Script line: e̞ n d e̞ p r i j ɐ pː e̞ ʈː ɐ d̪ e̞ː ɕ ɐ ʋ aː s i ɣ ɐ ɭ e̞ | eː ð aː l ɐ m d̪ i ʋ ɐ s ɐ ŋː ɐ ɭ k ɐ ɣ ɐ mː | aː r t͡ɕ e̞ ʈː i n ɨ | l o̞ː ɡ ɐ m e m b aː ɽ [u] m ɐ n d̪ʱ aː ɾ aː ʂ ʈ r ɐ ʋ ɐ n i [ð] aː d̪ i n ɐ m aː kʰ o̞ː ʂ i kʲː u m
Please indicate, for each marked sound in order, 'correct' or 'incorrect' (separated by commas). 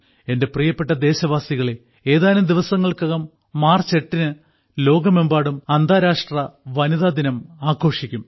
correct, correct